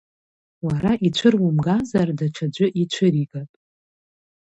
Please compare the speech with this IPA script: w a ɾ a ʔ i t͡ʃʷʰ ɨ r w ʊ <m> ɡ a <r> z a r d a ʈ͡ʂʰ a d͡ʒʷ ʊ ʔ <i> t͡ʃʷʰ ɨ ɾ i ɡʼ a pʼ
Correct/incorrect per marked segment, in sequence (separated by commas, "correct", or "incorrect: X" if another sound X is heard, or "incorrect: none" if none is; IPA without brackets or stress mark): correct, incorrect: none, correct